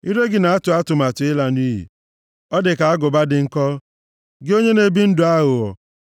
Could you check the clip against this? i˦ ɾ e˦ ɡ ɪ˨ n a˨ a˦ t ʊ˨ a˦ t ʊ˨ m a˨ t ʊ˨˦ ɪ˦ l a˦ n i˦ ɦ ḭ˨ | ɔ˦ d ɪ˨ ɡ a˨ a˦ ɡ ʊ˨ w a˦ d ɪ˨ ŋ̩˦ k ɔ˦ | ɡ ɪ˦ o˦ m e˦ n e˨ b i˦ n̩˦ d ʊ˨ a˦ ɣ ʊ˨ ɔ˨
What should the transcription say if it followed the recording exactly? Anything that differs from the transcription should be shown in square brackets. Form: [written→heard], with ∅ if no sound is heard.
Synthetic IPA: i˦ ɾ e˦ ɡ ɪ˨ n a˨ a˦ t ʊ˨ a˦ t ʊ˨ m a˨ t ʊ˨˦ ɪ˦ l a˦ n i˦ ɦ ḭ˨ | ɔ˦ d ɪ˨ [ɡ→k] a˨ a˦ ɡ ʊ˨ [w→b] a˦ d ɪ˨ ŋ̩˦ k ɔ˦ | ɡ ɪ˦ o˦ [m→ɲ] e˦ n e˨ b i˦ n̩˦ d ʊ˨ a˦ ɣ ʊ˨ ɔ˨